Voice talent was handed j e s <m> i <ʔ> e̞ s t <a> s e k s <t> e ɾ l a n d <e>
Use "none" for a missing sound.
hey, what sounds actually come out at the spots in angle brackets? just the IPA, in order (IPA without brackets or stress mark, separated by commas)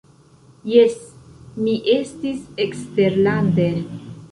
m, ʔ, i, t, e